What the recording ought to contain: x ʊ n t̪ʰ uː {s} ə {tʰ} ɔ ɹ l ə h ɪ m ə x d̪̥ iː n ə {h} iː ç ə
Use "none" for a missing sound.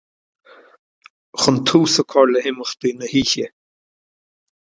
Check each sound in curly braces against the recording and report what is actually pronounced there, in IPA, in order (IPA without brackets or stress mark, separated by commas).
s, kʰ, h